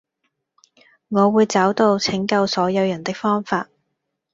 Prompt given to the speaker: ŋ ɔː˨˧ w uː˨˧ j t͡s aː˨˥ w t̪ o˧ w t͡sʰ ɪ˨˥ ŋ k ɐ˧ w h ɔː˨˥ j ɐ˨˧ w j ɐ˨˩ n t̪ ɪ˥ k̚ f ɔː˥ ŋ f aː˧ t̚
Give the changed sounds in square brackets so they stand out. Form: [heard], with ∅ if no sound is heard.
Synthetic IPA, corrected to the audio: ŋ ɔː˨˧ w uː˨˧ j t͡s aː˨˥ w t̪ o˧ w t͡sʰ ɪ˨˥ ŋ k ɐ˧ w [s] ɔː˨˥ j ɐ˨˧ w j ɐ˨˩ n t̪ ɪ˥ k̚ f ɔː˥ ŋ f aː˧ t̚